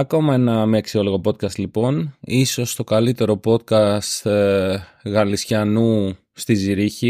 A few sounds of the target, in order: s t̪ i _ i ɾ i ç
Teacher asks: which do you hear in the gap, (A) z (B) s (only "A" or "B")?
A